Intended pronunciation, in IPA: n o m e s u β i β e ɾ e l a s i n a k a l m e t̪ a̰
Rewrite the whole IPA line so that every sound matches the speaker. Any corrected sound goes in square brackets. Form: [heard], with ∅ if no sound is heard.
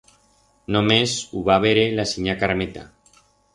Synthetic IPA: n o m e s u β [a] β e ɾ e l a s i [ɲ] a k a [ɾ] m e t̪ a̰